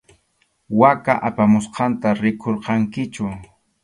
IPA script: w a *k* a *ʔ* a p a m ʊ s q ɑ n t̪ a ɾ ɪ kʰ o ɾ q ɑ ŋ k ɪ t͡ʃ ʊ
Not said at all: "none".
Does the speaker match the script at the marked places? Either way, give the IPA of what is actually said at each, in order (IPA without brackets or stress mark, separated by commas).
k, ʔ